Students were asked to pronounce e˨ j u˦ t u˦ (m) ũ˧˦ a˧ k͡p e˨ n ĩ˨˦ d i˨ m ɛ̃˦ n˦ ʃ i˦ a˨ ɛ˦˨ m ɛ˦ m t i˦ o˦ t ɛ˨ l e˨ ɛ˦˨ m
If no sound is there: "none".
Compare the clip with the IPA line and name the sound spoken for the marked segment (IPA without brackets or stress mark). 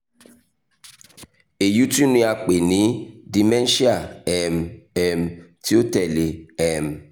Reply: n